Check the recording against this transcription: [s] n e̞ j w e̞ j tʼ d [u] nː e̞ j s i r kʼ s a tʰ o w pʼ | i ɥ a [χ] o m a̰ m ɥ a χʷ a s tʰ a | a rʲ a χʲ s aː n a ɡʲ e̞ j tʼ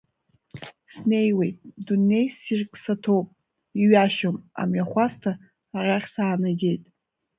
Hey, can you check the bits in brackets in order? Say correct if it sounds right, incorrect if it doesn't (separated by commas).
correct, correct, incorrect